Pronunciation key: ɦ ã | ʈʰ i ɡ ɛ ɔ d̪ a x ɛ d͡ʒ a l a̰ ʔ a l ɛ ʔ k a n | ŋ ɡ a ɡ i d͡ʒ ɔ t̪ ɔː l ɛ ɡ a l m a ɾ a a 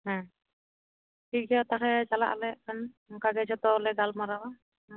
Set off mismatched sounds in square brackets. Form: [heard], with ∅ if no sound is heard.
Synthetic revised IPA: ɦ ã | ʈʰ i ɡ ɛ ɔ [t̪] a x ɛ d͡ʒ a l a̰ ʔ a l ɛ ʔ k a n | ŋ [k] a ɡ [ɛ] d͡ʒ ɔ t̪ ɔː l ɛ ɡ a l m a ɾ a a